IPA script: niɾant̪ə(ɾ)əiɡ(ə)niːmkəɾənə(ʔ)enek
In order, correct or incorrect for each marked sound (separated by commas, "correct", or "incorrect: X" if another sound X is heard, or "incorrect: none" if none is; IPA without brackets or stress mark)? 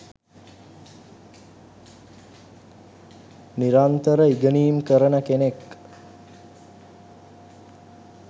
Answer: correct, correct, incorrect: k